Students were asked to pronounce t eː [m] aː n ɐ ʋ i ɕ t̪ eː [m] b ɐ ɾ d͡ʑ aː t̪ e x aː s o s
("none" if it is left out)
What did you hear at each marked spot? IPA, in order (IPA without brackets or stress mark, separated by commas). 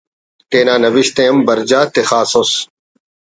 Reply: n, m